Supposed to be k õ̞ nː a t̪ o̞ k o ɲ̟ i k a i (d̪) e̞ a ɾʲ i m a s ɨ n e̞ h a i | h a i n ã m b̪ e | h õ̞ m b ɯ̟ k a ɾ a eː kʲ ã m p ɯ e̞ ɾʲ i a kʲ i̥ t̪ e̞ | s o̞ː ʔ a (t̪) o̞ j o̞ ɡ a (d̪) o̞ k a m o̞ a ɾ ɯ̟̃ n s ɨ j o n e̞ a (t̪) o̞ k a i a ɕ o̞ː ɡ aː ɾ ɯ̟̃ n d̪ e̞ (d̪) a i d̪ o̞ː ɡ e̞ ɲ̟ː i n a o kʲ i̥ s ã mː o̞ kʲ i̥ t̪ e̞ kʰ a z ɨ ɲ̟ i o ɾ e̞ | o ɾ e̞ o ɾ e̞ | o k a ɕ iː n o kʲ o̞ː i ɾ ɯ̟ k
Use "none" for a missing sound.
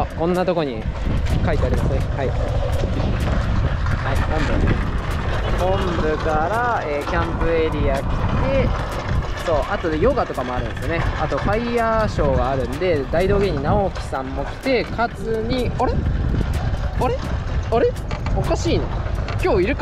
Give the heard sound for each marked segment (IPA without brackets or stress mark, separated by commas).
t̪, t̪, t̪, t̪, d̪